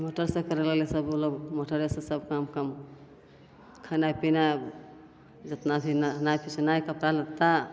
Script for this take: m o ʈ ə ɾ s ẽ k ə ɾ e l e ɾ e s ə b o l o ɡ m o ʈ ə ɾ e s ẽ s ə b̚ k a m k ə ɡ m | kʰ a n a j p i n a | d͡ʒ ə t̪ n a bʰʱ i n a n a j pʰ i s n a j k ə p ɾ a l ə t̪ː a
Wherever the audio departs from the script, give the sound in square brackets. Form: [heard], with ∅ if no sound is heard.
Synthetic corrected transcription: m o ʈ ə ɾ s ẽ k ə ɾ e l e [l] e s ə b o l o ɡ m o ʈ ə ɾ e s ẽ s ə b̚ k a m k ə [∅] m | kʰ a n a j p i n a | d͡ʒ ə t̪ n a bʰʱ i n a n a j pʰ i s n a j k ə p ɾ a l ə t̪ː a